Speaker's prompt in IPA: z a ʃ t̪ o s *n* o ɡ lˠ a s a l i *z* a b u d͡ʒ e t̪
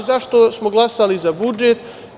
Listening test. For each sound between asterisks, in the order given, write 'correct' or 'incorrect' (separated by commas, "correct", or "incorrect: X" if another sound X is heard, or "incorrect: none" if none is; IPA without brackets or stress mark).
incorrect: m, correct